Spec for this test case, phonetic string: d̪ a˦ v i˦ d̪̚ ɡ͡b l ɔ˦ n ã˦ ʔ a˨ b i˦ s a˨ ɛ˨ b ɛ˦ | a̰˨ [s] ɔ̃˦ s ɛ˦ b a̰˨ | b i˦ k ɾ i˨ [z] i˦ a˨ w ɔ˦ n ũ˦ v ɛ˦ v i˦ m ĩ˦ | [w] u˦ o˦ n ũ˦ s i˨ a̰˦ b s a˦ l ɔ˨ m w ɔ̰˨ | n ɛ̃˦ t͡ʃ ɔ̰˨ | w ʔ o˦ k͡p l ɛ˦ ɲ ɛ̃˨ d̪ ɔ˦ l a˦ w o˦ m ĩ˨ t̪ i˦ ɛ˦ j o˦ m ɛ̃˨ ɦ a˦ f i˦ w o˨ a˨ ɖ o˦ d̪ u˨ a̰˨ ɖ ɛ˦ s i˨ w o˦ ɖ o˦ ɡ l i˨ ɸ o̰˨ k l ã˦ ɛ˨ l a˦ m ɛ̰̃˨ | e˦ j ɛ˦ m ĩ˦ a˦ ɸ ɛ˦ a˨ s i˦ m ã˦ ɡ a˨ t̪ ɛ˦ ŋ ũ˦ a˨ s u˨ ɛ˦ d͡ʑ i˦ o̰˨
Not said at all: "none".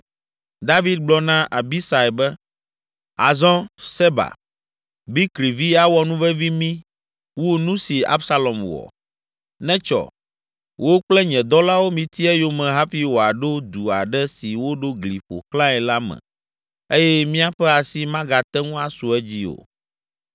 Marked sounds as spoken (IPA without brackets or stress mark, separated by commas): z, v, w